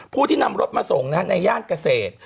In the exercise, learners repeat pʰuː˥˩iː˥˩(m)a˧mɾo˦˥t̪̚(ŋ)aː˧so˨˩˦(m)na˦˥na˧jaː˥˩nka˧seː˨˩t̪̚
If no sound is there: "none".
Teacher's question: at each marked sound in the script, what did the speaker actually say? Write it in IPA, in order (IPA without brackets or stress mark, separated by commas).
n, m, ŋ